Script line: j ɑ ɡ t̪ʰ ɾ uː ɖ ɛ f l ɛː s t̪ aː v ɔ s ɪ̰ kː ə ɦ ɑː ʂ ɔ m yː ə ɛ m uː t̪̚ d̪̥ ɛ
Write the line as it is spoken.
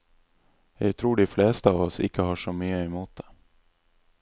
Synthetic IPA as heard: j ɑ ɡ t̪ʰ ɾ uː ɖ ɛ f l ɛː s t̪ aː v ɔ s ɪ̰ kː ə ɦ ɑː ʂ ɔ m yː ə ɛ m uː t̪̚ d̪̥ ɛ